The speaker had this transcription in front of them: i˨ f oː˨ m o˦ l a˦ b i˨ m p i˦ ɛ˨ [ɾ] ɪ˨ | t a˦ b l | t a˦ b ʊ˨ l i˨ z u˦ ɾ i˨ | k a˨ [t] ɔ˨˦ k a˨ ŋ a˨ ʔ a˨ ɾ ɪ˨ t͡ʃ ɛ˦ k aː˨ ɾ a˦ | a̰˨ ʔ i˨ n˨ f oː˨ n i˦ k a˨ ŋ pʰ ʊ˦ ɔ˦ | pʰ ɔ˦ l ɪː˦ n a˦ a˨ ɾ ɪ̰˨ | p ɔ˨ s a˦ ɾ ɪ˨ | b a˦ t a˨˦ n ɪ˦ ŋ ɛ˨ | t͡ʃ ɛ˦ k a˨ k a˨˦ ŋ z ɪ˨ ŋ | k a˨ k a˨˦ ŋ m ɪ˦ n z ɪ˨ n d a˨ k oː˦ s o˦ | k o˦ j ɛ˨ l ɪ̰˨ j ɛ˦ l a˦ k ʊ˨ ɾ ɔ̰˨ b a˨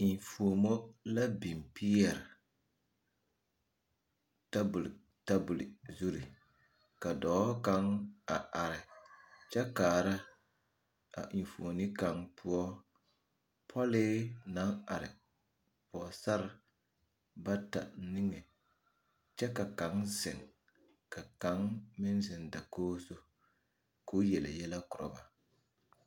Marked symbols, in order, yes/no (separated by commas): yes, no